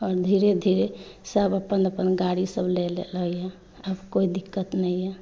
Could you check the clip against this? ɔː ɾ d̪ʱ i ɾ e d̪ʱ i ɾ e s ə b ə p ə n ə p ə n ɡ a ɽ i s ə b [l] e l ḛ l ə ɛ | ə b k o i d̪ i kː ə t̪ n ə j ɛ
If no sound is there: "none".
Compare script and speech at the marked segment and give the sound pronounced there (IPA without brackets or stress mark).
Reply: l